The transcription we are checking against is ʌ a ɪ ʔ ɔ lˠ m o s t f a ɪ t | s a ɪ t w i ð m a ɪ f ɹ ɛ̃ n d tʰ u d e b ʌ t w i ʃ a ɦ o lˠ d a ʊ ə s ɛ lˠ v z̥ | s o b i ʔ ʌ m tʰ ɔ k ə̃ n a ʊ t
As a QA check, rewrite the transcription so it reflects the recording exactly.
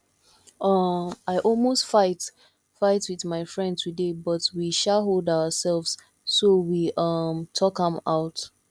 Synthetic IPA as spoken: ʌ a ɪ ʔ ɔ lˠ m o s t f a ɪ t | f a ɪ t w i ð m a ɪ f ɹ ɛ̃ n d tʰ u d e b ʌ t w i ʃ a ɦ o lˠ d a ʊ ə s ɛ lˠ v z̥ | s o w i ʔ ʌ m tʰ ɔ k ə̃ m a ʊ t